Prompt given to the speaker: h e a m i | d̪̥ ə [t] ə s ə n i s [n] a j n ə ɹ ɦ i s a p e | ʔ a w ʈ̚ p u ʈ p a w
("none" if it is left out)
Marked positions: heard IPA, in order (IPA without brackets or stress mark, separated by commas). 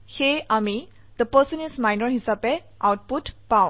p, m